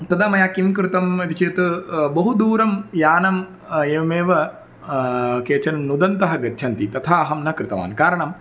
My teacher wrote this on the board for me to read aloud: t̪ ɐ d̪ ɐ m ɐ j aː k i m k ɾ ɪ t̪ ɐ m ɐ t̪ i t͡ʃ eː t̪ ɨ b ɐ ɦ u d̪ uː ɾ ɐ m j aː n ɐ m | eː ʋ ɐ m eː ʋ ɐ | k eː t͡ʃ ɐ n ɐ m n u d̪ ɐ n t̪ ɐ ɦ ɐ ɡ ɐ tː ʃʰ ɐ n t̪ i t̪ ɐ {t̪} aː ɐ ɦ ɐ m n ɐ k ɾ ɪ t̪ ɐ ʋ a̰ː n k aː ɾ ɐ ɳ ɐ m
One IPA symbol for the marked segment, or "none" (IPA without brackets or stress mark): t̪ʰ